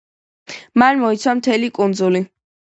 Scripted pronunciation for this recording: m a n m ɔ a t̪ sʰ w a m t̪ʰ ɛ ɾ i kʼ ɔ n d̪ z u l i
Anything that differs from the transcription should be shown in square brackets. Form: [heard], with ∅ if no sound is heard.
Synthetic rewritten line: m a n m ɔ [i] t̪ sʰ w a m t̪ʰ ɛ [l] i kʼ [u] n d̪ z u l i